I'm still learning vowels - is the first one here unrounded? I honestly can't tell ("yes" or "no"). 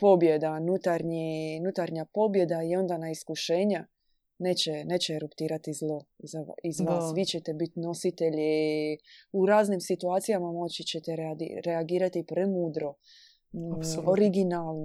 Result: no